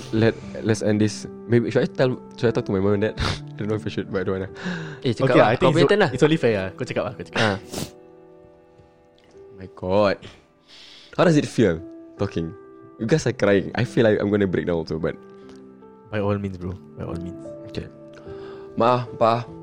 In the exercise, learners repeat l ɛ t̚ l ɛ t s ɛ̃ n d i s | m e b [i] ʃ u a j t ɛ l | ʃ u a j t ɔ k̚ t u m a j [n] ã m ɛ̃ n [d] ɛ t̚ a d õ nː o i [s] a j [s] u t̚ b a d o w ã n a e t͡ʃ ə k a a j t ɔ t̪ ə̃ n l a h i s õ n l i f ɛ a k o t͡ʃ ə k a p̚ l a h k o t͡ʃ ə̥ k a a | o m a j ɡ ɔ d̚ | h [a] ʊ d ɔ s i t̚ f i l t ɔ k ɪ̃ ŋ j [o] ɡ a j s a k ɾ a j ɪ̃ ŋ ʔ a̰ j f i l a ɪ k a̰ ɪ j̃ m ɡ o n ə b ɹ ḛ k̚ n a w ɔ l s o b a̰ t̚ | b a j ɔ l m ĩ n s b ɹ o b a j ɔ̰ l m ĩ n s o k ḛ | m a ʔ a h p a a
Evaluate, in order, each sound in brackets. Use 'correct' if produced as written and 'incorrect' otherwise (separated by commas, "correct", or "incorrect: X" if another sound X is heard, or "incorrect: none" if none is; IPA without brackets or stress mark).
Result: correct, incorrect: m, correct, incorrect: f, incorrect: ʃ, correct, incorrect: u